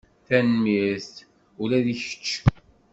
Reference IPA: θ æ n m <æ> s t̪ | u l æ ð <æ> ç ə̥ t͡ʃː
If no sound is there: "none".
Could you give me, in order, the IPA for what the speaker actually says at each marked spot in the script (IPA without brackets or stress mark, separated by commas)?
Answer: i, i